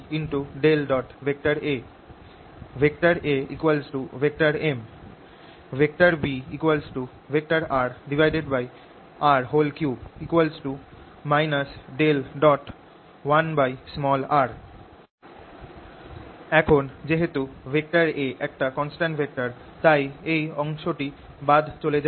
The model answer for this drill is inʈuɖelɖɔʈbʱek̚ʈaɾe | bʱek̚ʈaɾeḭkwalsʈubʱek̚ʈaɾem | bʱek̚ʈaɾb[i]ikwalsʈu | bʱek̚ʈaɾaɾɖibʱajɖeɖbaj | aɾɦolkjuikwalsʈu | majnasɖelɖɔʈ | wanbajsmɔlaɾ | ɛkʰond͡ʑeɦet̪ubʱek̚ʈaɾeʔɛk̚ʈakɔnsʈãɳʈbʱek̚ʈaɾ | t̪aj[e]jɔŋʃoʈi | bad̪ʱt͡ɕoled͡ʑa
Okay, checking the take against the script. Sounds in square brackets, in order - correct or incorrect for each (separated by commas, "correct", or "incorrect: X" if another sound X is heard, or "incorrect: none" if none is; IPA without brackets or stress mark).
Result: correct, correct